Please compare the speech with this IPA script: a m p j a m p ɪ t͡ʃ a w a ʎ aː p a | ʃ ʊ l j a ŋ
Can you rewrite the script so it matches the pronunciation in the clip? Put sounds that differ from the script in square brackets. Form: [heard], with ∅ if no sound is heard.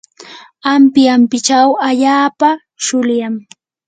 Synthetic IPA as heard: a m p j a m p ɪ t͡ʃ a w a ʎ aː p a | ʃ ʊ l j a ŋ